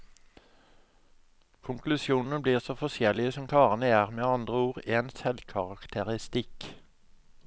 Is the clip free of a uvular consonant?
no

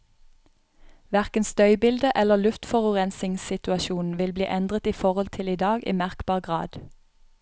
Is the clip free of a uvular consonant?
no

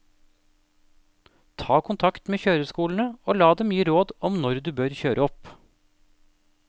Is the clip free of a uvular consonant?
yes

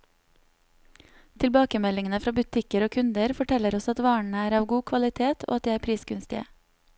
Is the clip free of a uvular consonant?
yes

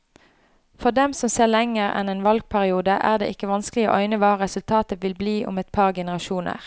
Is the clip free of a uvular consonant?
no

